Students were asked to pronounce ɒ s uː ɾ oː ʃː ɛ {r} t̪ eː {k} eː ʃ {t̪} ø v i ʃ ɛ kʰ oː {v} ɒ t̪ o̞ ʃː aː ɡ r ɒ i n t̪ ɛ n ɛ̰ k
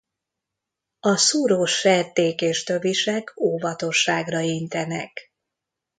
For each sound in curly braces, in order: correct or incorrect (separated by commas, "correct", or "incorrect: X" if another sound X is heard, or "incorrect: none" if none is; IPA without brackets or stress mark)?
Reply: correct, correct, correct, correct